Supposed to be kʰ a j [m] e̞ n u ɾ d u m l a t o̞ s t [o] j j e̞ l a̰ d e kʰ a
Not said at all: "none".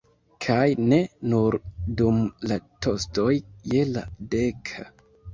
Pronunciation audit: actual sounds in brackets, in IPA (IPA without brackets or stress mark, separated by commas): n, o